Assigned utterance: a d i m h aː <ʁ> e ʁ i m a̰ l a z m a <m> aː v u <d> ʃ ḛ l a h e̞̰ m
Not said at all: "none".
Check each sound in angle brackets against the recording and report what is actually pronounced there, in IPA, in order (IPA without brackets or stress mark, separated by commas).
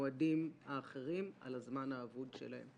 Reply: χ, n, d